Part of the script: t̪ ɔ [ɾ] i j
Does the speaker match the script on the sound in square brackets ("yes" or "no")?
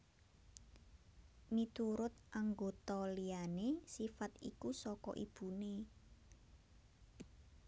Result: no